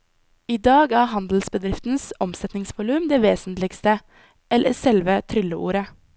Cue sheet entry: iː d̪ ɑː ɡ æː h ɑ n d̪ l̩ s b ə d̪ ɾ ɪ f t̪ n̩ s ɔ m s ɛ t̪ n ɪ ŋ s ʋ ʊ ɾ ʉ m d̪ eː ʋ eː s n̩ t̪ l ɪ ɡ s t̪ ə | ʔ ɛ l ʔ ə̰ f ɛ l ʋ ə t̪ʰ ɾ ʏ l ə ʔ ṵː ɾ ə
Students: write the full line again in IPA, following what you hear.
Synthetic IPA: iː d̪ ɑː ɡ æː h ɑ n d̪ l̩ s b ə d̪ ɾ ɪ f t̪ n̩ s ɔ m s ɛ t̪ n ɪ ŋ s ʋ ʊ l ʉ m d̪ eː ʋ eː s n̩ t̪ l ɪ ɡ s t̪ ə | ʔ ɛ l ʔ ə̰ s ɛ l ʋ ə t̪ʰ ɾ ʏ l ə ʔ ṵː ɾ ə